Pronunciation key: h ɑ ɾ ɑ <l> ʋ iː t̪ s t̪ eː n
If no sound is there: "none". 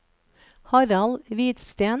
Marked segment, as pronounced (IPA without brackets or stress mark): l